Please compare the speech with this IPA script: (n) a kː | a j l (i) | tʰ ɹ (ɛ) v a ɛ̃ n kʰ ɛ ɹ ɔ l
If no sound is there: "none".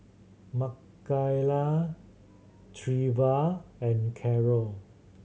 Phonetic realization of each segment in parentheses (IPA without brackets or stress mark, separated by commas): m, a, i